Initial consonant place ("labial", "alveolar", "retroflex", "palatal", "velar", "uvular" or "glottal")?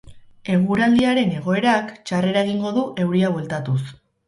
velar